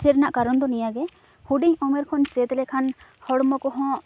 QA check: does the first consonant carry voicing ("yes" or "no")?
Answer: no